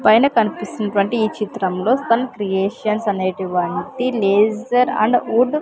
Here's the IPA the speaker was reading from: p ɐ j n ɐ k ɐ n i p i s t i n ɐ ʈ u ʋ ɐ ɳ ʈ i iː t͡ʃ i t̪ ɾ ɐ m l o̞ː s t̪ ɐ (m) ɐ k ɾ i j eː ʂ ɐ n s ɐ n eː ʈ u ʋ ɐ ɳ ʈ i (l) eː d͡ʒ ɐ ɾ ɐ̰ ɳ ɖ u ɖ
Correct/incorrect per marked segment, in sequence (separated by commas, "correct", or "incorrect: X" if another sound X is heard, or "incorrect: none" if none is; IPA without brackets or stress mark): incorrect: n, correct